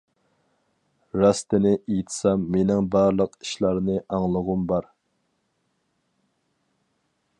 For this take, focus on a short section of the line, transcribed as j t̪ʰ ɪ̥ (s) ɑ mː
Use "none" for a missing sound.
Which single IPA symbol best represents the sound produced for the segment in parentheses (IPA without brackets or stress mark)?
s